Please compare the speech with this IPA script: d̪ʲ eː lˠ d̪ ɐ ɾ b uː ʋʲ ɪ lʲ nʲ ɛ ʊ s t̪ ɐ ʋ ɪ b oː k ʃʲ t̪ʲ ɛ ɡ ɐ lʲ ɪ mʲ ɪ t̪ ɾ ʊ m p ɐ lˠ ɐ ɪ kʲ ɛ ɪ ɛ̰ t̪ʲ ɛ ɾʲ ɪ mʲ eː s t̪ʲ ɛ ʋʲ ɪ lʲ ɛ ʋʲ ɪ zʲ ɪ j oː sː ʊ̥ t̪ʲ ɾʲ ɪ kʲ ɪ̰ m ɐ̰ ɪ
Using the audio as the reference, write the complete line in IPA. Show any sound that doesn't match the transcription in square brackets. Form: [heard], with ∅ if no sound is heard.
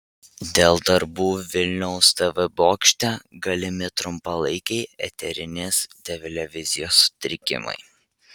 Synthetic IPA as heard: d̪ʲ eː lˠ d̪ ɐ ɾ b uː ʋʲ ɪ lʲ nʲ ɛ ʊ s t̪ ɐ ʋ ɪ b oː k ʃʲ t̪ʲ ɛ ɡ ɐ lʲ ɪ mʲ ɪ t̪ ɾ ʊ m p ɐ lˠ ɐ ɪ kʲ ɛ ɪ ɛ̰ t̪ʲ ɛ ɾʲ ɪ [nʲ] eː s t̪ʲ ɛ ʋʲ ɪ lʲ ɛ ʋʲ ɪ zʲ ɪ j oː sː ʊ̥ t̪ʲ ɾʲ ɪ kʲ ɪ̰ m ɐ̰ ɪ